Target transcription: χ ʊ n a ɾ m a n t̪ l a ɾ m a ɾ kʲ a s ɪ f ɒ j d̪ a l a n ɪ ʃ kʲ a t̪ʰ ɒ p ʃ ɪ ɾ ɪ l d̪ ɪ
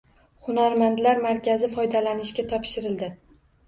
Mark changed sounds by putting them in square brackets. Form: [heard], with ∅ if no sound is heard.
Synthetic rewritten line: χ ʊ n a ɾ m a n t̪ l a ɾ m a ɾ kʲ a [z] ɪ f ɒ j d̪ a l a n ɪ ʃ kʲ a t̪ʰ ɒ p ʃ ɪ ɾ ɪ l d̪ ɪ